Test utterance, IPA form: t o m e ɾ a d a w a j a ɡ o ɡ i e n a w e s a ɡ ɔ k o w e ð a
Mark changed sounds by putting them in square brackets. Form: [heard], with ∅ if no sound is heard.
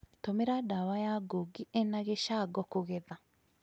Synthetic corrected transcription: t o m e ɾ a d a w a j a ɡ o ɡ i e n a [ɣ] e [ʃ] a ɡ ɔ k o [ɣ] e ð a